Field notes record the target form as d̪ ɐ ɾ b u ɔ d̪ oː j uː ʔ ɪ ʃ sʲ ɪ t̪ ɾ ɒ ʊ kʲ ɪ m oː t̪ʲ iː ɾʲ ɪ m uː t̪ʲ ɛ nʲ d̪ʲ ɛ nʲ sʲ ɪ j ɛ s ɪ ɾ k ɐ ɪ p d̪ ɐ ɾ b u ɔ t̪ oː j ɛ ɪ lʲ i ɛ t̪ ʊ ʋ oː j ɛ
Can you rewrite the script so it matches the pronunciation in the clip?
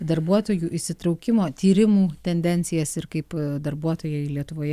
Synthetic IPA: d̪ ɐ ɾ b u ɔ t̪ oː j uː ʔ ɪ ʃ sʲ ɪ t̪ ɾ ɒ ʊ kʲ ɪ m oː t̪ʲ iː ɾʲ ɪ m uː t̪ʲ ɛ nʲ d̪ʲ ɛ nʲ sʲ ɪ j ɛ s ɪ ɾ k ɐ ɪ p d̪ ɐ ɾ b u ɔ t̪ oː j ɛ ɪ lʲ i ɛ t̪ ʊ ʋ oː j ɛ